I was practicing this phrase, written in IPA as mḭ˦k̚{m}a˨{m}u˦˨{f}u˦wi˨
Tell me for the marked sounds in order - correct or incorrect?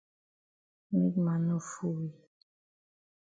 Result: correct, incorrect: n, correct

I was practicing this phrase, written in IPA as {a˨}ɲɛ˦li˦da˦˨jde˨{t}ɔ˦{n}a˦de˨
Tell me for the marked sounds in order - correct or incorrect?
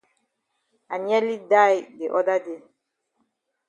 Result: correct, incorrect: ʔ, incorrect: d

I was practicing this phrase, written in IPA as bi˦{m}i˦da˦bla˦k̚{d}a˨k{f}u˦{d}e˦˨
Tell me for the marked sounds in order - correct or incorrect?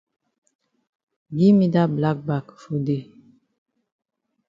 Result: correct, incorrect: b, correct, correct

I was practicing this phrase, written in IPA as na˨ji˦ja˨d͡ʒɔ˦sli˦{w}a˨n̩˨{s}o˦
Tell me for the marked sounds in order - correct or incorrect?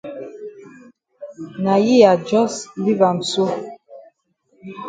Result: incorrect: v, correct

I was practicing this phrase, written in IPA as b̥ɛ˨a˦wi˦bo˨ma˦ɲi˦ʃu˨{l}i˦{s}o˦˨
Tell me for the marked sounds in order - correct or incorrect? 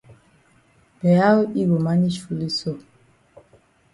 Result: correct, correct

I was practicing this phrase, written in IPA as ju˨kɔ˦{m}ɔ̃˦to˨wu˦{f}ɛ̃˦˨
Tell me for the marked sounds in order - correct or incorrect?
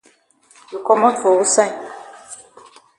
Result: correct, incorrect: s

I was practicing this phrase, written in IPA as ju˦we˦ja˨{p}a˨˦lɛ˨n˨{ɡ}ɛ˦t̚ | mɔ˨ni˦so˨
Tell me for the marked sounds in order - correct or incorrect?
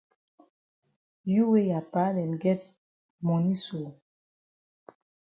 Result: correct, correct

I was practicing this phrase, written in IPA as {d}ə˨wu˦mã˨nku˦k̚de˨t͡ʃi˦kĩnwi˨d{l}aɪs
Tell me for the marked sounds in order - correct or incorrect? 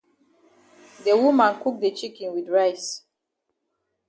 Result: correct, incorrect: ɹ

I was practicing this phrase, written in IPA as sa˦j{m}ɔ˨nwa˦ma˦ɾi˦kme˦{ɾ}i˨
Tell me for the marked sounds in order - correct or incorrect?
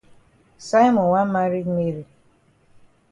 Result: correct, correct

